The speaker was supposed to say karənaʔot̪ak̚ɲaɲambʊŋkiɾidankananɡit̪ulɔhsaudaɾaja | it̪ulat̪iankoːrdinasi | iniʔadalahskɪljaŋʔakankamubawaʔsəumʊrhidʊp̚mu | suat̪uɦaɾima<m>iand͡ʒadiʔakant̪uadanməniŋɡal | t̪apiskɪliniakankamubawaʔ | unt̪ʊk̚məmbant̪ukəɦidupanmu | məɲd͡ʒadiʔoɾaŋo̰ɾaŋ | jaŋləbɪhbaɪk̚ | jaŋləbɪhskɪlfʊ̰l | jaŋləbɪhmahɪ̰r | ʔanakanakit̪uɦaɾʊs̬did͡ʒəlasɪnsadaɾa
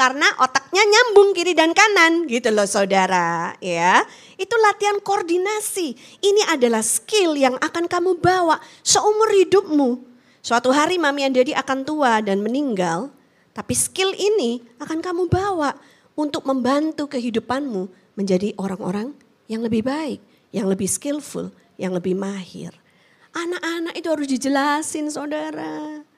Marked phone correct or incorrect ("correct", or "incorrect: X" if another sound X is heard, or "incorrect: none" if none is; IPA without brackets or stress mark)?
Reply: correct